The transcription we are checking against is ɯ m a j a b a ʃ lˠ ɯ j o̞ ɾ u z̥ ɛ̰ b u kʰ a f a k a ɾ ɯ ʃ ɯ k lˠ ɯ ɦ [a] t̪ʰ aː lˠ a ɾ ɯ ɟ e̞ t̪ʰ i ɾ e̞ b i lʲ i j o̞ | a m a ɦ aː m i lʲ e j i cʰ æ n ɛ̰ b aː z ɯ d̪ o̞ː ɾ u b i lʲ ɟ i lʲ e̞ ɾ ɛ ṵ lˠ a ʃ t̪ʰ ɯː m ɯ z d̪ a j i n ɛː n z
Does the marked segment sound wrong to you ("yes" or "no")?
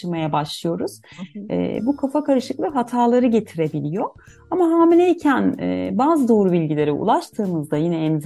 no